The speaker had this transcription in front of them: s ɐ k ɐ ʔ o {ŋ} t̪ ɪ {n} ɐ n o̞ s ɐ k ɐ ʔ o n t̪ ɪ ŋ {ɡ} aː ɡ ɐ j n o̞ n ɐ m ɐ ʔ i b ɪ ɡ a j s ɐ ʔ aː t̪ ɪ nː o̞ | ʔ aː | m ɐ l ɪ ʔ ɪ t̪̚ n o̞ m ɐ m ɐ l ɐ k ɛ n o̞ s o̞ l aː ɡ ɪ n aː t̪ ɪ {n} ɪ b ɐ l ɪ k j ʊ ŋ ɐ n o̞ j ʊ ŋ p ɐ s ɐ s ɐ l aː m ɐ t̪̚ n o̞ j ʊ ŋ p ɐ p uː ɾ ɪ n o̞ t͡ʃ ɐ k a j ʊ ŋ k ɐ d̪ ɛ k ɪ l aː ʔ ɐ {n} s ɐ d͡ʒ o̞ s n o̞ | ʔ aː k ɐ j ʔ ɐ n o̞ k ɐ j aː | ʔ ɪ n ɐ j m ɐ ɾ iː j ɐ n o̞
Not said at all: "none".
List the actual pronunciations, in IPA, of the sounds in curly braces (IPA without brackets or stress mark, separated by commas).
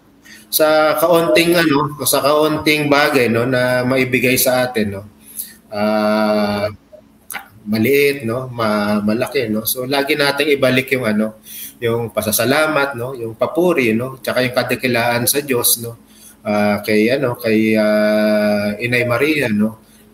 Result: n, ŋ, b, ŋ, n